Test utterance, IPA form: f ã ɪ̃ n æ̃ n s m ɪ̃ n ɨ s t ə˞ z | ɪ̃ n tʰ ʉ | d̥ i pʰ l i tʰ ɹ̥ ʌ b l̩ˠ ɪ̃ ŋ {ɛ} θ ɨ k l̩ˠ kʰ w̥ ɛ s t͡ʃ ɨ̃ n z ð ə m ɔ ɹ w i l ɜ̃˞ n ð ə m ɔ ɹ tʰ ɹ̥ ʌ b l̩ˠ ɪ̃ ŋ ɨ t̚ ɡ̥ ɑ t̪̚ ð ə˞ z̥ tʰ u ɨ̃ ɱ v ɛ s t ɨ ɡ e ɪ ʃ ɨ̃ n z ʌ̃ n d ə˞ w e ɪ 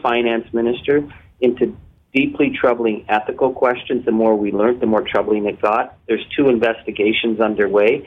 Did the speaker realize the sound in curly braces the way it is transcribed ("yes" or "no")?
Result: yes